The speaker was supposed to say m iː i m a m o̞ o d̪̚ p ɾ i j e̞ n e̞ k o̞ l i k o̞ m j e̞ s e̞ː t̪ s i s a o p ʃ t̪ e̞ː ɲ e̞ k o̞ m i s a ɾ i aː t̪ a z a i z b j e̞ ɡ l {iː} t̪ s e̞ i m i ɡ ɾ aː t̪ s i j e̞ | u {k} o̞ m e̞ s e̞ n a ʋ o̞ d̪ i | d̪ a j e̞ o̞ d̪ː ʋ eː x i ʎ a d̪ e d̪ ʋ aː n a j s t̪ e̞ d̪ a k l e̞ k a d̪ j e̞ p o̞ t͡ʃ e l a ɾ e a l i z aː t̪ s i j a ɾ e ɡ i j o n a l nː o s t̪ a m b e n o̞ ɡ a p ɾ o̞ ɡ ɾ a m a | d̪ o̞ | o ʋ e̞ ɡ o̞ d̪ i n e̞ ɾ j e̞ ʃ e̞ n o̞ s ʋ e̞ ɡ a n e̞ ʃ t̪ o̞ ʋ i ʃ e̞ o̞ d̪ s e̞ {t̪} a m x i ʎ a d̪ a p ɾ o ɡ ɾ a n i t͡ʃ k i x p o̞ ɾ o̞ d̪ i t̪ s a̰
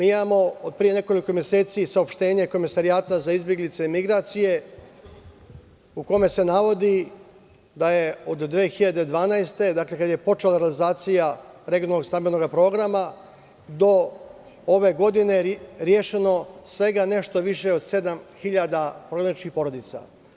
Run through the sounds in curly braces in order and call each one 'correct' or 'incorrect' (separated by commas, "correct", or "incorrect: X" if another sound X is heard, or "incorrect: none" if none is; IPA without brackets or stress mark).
incorrect: i, correct, incorrect: d̪